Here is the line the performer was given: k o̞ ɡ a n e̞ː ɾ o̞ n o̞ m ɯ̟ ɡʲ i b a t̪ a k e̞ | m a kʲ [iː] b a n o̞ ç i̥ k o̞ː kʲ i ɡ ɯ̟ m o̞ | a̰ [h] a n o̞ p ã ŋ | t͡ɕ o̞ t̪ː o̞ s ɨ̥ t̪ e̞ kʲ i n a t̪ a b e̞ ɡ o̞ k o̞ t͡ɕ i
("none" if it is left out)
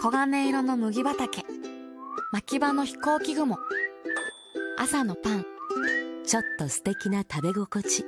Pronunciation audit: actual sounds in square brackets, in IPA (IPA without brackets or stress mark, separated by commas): i, s